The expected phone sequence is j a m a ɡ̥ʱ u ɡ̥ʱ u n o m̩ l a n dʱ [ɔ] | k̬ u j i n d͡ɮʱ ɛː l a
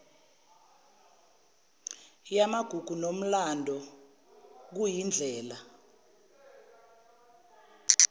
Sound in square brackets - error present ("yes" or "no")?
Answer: no